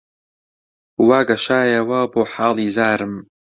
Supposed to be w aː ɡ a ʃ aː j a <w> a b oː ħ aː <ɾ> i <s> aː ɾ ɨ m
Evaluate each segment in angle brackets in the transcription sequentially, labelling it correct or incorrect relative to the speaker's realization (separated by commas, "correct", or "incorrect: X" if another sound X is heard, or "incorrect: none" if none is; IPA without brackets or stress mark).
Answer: correct, incorrect: l, incorrect: z